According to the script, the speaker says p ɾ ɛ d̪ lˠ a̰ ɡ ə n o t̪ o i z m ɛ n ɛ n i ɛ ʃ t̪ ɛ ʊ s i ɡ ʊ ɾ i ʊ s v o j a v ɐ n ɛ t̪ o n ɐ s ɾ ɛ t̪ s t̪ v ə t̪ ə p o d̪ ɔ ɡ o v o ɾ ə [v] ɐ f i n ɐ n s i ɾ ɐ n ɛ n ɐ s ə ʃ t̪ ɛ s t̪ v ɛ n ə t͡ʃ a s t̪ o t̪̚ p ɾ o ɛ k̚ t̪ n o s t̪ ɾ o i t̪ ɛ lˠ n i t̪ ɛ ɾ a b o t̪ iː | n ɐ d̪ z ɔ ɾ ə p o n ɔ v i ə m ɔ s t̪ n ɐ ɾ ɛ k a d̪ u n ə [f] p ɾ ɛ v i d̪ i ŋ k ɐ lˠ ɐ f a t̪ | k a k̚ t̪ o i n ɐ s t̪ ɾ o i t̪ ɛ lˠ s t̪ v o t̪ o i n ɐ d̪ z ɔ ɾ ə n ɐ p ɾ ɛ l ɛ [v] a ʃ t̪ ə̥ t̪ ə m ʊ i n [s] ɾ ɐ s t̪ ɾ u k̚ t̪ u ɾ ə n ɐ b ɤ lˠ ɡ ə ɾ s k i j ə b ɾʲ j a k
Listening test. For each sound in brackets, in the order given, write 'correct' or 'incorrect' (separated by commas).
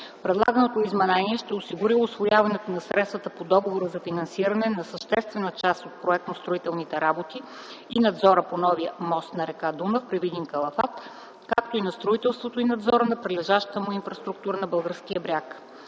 incorrect, correct, incorrect, incorrect